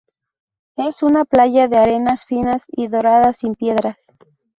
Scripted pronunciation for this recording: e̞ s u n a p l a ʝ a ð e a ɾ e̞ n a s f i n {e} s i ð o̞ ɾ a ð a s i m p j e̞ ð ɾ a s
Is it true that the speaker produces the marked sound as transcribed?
no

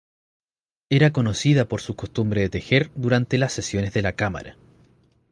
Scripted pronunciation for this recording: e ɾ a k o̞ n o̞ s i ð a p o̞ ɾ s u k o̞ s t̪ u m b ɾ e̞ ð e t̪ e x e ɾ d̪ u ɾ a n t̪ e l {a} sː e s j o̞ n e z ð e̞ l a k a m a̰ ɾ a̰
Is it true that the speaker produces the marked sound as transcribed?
yes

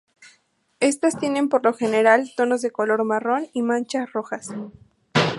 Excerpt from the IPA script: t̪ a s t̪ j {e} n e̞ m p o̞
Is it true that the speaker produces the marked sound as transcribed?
yes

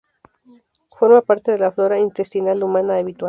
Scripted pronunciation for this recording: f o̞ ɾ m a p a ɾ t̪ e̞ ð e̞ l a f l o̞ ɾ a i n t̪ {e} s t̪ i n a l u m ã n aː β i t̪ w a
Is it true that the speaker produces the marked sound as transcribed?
yes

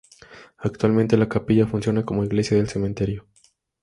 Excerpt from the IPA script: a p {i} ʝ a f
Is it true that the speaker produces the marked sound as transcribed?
yes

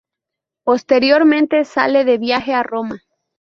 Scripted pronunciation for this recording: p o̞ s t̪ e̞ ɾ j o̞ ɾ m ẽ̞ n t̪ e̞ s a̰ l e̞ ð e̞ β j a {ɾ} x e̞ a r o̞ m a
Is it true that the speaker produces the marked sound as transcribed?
no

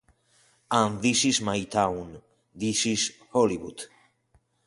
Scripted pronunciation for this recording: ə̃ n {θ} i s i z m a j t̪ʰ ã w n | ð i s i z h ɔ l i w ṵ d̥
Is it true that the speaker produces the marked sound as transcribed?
no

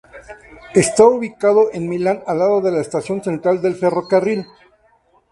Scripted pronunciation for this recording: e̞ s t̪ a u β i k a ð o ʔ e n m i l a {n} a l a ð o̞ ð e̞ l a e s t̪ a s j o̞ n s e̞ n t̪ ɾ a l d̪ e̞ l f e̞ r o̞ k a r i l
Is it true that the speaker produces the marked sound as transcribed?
yes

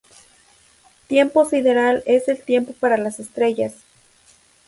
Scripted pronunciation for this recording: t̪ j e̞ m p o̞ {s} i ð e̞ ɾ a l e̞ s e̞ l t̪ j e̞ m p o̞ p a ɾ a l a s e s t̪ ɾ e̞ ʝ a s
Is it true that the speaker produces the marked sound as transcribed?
yes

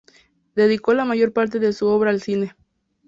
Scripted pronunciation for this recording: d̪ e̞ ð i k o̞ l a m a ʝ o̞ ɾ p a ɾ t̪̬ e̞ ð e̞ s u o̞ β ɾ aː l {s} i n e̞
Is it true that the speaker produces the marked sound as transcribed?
yes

